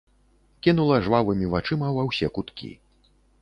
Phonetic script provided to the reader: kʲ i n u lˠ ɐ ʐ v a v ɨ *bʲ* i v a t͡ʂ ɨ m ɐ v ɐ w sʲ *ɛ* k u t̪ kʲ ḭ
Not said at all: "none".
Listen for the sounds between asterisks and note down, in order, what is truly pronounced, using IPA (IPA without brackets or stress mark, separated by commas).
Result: mʲ, ɛ